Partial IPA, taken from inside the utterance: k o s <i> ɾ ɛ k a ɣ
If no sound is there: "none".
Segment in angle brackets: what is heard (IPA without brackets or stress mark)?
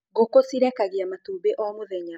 i